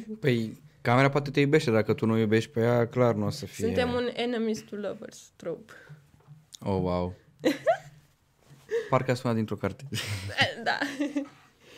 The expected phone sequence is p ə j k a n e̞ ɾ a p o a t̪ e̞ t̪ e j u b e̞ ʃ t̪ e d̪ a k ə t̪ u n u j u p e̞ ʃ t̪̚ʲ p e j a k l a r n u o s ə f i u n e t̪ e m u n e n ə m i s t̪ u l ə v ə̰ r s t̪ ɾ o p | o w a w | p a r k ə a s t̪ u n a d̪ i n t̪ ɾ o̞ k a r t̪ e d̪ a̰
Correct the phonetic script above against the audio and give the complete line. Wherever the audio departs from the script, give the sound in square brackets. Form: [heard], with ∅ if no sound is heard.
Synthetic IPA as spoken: p ə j k a [m] e̞ ɾ a p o a t̪ e̞ t̪ e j u b e̞ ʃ t̪ e d̪ a k ə t̪ u n u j u [b] e̞ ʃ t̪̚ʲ p e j a k l a r n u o s ə f i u n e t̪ e m u n e n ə m i s t̪ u l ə v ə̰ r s t̪ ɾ o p | o w a w | p a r k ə a s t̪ u n a d̪ i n t̪ ɾ o̞ k a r t̪ e d̪ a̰